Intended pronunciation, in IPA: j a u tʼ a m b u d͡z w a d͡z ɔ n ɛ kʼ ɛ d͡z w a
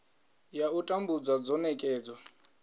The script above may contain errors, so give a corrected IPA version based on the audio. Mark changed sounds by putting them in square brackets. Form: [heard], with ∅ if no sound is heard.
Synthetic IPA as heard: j a u tʼ a m b u d͡z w a d͡z ɔ n ɛ kʼ [ɛː] d͡z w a